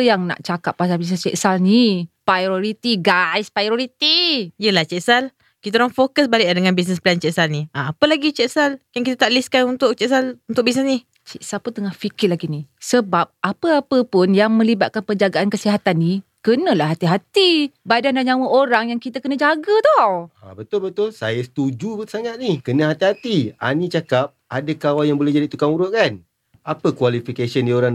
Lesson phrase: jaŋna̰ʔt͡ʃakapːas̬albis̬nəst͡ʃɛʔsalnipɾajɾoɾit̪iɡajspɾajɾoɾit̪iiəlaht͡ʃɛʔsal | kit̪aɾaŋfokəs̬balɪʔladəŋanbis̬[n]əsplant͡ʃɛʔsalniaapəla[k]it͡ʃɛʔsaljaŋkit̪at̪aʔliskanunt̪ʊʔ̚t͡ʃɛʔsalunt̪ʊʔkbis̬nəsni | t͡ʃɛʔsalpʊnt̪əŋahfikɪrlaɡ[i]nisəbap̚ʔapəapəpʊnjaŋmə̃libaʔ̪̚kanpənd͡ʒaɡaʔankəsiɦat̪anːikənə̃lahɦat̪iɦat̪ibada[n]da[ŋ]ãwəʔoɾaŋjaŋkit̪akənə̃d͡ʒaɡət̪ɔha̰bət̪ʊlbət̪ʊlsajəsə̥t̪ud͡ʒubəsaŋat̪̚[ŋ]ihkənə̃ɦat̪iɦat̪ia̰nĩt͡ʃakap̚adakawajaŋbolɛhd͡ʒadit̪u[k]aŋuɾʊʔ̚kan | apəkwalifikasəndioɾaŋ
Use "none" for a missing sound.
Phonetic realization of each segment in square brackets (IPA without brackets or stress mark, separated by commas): n, ɡ, i, n, ɲ, n, k